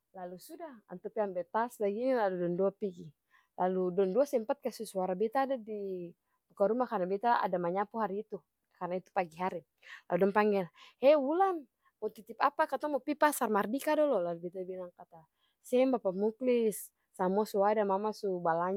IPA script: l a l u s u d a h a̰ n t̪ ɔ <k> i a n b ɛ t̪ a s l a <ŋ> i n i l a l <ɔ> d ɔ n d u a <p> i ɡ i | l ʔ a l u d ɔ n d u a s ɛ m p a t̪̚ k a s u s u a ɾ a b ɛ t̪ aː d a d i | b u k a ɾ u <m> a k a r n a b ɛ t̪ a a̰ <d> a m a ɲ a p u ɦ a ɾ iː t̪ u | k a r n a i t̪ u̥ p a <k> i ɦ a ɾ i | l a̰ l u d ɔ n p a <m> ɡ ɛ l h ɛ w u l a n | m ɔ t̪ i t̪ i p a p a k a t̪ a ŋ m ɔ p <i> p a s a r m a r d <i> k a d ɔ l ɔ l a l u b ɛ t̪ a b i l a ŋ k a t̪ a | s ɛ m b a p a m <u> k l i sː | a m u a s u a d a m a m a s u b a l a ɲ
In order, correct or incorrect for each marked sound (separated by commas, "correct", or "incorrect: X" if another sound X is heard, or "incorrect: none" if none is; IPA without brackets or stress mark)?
incorrect: p, incorrect: ɡ, incorrect: u, correct, correct, correct, incorrect: ɡ, incorrect: ŋ, correct, correct, correct